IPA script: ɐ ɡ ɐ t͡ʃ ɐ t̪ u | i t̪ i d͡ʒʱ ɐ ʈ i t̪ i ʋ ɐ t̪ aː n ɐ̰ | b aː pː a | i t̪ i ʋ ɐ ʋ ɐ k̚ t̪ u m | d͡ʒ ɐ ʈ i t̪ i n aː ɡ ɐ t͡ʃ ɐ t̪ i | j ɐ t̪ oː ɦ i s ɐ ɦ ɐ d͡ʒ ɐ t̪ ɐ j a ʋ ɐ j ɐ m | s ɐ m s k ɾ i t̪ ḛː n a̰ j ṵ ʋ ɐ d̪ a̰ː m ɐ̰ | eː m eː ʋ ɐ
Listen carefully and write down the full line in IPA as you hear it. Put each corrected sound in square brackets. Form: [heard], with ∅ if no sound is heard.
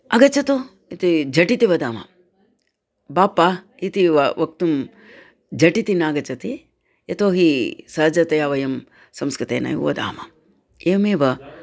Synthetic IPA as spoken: ɐ ɡ ɐ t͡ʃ ɐ t̪ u | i t̪ i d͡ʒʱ ɐ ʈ i t̪ i ʋ ɐ [d̪] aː [m] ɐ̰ | b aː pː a | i t̪ i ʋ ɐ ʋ ɐ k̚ t̪ u m | d͡ʒ ɐ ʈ i t̪ i n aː ɡ ɐ t͡ʃ ɐ t̪ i | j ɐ t̪ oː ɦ i s ɐ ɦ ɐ d͡ʒ ɐ t̪ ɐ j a ʋ ɐ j ɐ m | s ɐ m s k ɾ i t̪ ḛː n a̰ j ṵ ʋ ɐ d̪ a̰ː m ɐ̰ | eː m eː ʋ ɐ